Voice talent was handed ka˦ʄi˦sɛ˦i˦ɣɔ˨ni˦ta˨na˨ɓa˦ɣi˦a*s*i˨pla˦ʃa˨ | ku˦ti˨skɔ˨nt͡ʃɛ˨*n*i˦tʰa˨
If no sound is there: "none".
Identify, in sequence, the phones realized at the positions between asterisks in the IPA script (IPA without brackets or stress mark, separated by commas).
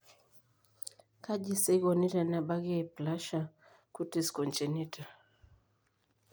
none, n